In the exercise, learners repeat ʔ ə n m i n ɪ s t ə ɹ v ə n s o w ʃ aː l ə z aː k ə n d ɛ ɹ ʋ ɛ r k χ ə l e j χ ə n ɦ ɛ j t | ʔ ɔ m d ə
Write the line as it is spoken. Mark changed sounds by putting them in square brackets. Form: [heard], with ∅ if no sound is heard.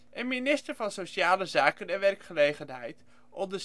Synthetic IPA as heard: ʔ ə n m i n ɪ s t ə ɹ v [ɑ] n s o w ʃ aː l ə z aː k ə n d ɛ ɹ ʋ ɛ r k χ ə l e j χ ə n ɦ ɛ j t | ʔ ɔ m d ə